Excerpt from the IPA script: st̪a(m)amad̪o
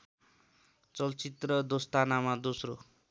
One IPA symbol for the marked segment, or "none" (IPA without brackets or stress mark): n